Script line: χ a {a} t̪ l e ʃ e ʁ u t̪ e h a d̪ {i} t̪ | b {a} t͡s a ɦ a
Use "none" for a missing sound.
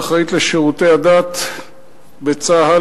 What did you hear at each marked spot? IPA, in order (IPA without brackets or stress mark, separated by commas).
i, a, e